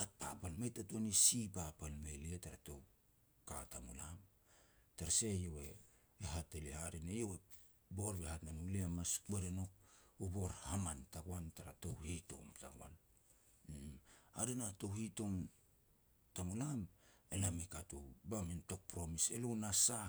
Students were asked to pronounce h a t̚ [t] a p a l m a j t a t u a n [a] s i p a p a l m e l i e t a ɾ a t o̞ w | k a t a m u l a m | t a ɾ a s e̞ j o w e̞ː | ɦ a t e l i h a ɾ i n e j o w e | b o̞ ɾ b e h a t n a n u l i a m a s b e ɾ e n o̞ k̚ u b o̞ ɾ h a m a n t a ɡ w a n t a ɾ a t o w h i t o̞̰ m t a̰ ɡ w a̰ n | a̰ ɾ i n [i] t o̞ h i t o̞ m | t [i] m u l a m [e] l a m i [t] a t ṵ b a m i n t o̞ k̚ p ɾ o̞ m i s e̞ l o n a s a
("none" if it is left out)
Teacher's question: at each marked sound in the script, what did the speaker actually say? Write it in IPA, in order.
p, i, a, a, e, k

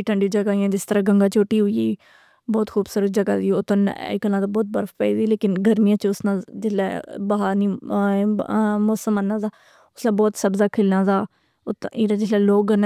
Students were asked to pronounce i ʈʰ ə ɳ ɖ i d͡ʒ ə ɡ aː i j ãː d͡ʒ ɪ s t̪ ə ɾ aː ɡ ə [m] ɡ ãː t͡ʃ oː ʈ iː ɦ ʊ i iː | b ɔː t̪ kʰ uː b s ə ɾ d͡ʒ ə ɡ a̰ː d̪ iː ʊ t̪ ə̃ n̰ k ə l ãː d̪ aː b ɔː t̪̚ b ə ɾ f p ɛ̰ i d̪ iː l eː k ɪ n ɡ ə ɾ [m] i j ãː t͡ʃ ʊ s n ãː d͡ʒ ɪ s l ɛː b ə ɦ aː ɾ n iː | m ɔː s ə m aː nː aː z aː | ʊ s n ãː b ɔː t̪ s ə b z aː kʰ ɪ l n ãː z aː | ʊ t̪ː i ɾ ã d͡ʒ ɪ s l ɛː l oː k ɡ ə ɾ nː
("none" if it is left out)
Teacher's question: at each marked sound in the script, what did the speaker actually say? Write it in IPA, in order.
ŋ, m

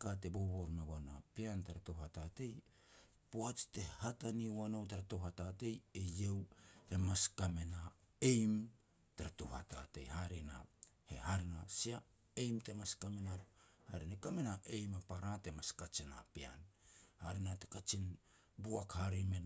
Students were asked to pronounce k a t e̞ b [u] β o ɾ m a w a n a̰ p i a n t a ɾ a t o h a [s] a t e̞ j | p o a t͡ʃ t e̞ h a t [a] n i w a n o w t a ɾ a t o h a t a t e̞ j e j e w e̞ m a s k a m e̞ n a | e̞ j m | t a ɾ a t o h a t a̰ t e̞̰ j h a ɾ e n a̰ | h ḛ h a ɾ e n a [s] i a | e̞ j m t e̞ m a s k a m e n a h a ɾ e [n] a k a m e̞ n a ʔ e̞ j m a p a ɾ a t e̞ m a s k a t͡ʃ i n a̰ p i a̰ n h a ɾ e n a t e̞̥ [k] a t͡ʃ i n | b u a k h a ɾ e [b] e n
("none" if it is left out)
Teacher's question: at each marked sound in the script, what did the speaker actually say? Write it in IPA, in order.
o, t, a, s, n, k, m

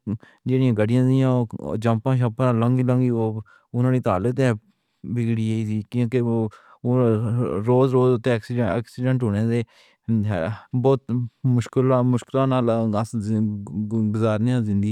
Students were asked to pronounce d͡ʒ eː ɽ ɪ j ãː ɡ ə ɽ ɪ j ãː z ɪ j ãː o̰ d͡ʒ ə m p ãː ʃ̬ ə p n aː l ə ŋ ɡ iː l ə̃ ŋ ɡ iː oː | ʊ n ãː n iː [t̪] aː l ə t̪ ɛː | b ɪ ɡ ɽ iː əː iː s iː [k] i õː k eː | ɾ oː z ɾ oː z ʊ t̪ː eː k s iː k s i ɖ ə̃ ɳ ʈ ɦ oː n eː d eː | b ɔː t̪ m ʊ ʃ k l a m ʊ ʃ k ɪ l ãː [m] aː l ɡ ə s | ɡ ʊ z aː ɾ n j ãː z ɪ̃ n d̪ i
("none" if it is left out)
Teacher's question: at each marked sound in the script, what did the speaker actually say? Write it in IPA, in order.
t̪, k, n

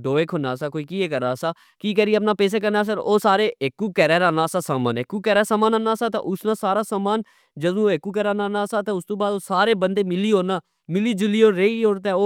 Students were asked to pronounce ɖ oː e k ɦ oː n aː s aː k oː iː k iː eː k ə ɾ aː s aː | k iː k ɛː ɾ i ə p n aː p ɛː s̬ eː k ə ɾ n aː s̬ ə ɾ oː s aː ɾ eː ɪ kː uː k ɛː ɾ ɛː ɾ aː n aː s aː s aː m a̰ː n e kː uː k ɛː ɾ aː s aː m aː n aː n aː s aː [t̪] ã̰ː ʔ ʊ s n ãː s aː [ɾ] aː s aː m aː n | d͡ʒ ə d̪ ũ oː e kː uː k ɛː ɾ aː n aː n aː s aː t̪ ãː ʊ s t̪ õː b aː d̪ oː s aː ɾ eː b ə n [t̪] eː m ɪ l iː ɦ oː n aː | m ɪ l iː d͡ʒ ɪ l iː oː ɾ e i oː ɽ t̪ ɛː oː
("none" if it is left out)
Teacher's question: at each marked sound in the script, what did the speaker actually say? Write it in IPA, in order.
t̪, ɾ, d̪

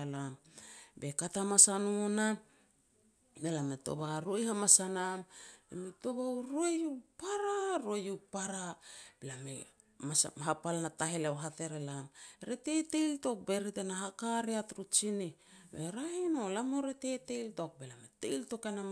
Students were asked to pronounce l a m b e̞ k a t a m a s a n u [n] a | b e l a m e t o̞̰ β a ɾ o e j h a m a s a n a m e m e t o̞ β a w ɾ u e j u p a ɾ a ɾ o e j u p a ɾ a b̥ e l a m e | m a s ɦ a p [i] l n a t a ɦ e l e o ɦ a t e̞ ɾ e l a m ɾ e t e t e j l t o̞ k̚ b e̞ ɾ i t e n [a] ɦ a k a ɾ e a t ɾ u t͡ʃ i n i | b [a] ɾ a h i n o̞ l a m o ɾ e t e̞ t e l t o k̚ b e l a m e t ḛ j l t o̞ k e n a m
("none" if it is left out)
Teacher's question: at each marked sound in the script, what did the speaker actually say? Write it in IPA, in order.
n, a, a, e

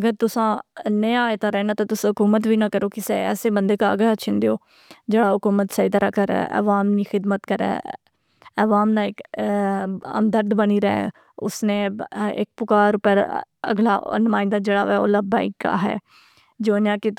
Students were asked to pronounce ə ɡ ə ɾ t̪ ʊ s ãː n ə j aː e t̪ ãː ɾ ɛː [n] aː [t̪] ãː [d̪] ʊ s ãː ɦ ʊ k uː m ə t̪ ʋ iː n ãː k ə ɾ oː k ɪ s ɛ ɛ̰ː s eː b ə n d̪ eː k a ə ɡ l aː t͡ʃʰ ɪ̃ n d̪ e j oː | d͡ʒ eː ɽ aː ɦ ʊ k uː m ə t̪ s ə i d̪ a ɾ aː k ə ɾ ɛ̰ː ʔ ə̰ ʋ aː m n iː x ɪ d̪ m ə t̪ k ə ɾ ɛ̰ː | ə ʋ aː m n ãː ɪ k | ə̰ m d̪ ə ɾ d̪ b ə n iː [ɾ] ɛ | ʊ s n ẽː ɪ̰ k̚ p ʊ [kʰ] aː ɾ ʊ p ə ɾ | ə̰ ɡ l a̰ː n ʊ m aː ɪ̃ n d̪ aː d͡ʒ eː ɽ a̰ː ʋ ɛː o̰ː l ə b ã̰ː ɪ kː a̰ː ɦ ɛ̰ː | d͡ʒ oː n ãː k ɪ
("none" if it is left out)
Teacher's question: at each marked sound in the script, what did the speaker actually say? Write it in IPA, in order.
n, t̪, t̪, ɾ, k

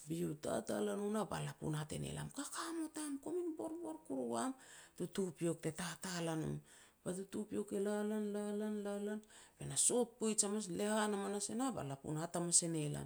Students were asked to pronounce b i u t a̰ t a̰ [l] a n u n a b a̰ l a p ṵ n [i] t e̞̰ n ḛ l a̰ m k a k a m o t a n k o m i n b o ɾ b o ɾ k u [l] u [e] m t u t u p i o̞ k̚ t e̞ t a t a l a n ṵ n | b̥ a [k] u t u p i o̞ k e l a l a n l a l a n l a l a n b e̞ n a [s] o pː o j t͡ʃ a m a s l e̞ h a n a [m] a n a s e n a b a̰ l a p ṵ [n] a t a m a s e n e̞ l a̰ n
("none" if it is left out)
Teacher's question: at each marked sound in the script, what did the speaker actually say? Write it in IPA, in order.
l, a, ɾ, a, t, s, m, n

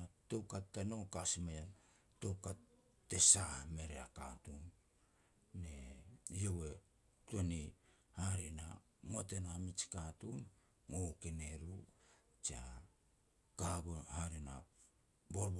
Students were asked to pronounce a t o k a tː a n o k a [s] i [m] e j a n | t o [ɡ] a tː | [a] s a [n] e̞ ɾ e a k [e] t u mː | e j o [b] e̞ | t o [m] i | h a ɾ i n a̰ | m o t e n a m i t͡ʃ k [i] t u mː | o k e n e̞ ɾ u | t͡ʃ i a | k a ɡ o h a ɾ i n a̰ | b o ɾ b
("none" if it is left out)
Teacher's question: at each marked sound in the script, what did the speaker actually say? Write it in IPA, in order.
s, m, k, e, m, a, w, n, a

